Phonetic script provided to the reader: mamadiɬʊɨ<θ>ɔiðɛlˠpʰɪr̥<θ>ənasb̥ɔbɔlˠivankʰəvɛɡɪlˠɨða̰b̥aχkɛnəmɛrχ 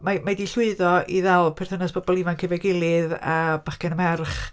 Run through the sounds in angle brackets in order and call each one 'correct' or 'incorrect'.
incorrect: ð, correct

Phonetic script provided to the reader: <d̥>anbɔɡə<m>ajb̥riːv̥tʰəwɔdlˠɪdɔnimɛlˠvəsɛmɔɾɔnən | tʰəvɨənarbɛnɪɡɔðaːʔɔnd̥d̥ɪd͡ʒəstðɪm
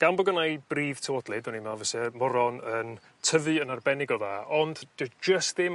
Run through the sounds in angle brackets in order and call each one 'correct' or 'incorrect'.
incorrect: ɡ̥, incorrect: n

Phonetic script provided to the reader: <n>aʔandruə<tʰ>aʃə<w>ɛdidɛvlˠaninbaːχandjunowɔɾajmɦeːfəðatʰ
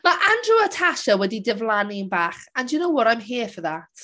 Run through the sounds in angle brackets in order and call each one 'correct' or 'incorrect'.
incorrect: m, correct, correct

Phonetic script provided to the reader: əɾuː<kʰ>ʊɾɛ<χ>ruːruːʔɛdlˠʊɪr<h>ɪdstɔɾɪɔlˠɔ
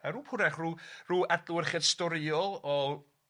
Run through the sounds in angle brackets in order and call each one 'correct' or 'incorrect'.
incorrect: pʰ, correct, incorrect: χ

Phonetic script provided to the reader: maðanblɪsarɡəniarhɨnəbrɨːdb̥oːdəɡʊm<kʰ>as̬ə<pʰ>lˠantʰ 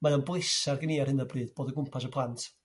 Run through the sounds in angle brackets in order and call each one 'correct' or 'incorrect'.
incorrect: pʰ, correct

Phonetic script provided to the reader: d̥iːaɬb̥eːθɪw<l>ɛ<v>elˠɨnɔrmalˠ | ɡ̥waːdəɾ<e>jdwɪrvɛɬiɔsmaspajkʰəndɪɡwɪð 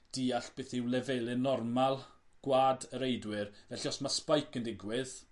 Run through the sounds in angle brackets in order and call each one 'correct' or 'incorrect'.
correct, correct, correct

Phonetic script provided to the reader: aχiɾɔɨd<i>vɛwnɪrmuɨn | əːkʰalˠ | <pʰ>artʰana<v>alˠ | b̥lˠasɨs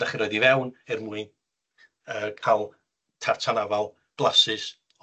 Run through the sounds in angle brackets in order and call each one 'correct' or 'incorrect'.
correct, incorrect: tʰ, correct

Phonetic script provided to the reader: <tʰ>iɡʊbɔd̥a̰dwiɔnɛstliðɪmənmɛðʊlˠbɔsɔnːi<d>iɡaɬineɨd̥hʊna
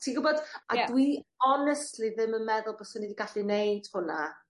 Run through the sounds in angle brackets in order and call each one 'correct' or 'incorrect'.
correct, correct

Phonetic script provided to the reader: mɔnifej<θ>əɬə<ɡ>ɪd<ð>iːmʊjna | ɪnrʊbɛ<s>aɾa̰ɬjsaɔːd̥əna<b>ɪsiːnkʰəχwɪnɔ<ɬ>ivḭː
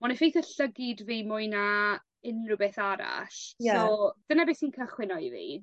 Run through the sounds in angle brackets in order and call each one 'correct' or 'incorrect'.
correct, correct, incorrect: v, incorrect: θ, correct, incorrect: none

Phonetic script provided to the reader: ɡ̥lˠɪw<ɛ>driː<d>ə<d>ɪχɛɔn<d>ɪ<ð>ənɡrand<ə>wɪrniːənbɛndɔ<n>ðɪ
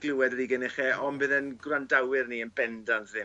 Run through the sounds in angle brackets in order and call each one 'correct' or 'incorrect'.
correct, incorrect: ɡ, incorrect: n, incorrect: b, correct, incorrect: a, correct

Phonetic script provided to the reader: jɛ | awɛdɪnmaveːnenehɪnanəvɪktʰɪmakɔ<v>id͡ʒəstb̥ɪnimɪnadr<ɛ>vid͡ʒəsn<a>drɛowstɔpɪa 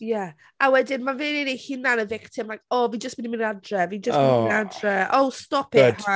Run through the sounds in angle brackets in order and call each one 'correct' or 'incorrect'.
correct, correct, correct

